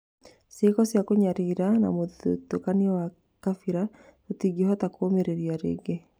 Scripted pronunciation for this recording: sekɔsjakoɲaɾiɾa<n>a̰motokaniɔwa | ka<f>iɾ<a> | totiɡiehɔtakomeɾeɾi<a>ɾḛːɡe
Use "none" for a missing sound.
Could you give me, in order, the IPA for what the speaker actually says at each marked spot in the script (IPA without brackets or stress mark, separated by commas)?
n, f, a, a